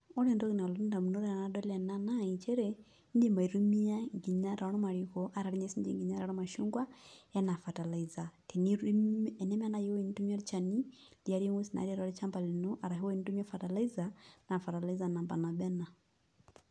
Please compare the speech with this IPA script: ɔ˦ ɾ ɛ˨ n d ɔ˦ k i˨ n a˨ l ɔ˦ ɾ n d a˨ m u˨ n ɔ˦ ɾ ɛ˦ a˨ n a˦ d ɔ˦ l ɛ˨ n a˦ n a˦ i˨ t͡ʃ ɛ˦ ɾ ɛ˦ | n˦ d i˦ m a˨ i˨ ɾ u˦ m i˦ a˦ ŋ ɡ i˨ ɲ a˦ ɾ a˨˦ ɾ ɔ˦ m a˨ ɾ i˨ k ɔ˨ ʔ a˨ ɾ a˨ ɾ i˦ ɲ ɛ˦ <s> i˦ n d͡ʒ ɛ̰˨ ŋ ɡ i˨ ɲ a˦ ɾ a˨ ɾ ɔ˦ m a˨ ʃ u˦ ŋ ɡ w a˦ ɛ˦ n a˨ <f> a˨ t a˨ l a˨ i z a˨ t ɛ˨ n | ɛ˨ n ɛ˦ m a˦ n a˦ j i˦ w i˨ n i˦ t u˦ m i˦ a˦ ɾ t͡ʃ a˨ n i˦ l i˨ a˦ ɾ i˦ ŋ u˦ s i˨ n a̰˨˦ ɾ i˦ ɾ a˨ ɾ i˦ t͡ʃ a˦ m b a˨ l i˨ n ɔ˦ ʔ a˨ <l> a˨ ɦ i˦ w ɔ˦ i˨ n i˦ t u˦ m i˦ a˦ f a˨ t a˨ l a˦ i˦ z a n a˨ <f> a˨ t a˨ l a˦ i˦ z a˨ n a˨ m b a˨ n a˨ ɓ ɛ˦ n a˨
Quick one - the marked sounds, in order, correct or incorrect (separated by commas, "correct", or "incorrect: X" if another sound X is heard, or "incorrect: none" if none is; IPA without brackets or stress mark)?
correct, correct, incorrect: ɾ, correct